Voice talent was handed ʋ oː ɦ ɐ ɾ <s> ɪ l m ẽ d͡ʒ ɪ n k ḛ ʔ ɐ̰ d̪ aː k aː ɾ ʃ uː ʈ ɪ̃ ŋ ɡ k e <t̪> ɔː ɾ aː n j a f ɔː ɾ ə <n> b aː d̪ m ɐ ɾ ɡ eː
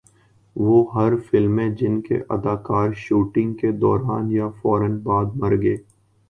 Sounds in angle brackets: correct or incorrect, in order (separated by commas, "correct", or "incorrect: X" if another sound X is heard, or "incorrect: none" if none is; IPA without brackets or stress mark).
incorrect: f, incorrect: d̪, correct